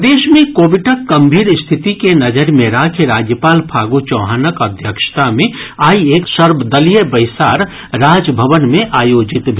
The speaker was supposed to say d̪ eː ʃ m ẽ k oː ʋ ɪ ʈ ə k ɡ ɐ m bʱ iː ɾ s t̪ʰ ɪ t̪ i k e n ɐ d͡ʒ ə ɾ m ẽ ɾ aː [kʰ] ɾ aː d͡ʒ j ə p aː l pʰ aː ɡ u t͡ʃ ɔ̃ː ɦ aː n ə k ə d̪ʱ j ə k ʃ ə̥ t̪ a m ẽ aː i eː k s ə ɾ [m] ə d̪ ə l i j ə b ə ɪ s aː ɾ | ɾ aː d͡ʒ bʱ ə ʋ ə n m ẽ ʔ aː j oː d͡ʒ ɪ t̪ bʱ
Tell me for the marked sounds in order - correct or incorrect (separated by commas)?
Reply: correct, incorrect